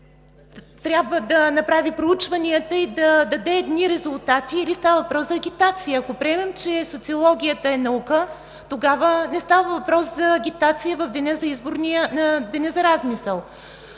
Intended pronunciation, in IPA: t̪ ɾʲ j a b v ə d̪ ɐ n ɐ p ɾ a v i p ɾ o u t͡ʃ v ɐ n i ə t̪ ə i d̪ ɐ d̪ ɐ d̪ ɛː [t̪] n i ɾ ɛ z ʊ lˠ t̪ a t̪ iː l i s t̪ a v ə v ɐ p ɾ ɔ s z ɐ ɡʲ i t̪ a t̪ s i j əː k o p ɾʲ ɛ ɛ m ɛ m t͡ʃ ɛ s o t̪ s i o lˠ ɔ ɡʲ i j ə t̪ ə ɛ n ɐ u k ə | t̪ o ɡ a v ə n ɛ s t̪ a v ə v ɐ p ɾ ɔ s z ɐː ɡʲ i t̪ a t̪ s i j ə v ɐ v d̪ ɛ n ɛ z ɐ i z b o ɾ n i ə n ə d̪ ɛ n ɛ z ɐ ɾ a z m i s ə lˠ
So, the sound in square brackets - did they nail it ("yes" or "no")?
no